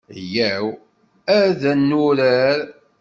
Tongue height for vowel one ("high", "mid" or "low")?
low